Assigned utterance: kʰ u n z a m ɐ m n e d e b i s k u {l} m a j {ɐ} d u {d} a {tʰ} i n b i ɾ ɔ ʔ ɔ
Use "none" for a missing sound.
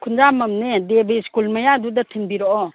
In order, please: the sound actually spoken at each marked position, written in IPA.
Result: l, a, d, tʰ

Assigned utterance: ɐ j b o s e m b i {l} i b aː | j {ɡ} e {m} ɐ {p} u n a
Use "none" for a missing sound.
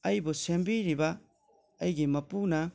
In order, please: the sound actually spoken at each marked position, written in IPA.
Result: ɾ, ɡ, m, p

